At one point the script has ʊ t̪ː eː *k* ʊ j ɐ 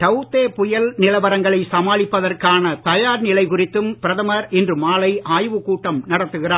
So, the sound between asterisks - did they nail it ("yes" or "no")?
no